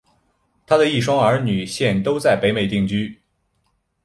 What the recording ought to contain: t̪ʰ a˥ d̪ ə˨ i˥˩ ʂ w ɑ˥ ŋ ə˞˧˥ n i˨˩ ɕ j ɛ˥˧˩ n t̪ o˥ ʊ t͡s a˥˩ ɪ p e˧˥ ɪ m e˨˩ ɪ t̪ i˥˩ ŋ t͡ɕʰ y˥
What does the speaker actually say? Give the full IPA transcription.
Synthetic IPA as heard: t̪ʰ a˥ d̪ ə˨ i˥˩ ʂ w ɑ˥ ŋ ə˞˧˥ n y˨˩ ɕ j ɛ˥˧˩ n t̪ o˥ ʊ t͡s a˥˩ ɪ p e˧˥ ɪ m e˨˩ ɪ t̪ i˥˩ ŋ t͡ɕ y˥